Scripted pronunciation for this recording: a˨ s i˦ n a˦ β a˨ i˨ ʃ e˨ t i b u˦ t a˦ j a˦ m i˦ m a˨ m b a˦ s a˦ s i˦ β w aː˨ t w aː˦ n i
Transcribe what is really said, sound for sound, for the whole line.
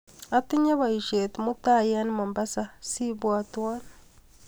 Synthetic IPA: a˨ t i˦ ɲ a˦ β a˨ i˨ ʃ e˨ t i m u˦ t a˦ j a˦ n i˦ m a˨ m b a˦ s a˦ s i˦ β w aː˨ t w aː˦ n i